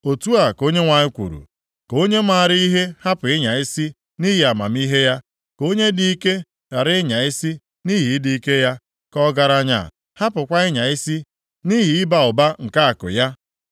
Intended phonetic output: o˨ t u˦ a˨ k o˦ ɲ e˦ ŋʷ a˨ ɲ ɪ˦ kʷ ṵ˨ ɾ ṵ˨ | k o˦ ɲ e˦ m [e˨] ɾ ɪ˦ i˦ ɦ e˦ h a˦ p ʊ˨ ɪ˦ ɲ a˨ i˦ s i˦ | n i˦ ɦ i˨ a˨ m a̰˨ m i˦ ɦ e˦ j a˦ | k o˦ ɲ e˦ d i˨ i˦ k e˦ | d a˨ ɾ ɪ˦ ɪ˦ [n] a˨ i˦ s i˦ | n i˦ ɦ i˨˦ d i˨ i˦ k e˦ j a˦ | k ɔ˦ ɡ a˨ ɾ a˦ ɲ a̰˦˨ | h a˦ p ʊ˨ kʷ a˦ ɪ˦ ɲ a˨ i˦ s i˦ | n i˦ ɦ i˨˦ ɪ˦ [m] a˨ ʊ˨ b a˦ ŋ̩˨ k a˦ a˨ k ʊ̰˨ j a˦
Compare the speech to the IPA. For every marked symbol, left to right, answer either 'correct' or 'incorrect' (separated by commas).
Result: incorrect, incorrect, incorrect